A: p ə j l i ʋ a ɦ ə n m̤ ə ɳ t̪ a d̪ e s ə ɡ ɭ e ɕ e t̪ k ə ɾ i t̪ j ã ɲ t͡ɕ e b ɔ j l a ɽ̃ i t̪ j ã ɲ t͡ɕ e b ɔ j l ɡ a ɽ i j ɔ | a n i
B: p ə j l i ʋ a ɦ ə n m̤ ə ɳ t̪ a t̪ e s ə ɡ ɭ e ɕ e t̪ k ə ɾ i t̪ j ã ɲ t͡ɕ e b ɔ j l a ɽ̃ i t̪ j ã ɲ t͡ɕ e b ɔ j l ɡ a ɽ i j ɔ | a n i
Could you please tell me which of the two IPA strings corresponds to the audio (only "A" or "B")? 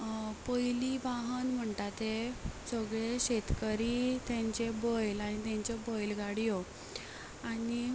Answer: B